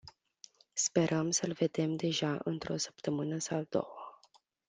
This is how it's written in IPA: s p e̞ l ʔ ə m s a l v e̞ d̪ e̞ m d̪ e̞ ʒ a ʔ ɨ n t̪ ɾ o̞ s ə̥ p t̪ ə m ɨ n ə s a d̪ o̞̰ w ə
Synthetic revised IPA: s p e̞ ɾ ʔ ə m s ə l v e̞ d̪ e̞ m d̪ e̞ ʒ a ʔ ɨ n t̪ ɾ o̞ s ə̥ p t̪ ə m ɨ n ə s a d̪ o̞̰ w ə